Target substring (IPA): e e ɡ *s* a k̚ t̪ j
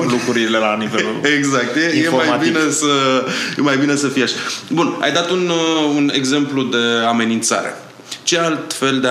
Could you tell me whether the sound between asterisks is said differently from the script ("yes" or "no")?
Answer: yes